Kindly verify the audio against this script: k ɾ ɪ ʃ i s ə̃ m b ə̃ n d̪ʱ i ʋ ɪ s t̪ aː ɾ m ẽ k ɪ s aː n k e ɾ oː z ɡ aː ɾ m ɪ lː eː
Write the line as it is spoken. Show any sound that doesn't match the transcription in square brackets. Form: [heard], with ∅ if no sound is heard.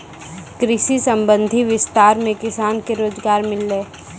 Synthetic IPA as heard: k ɾ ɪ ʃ i s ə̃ m b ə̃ n d̪ʱ i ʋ ɪ s t̪ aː ɾ m ẽ k ɪ s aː n k e ɾ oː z ɡ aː ɾ m ɪ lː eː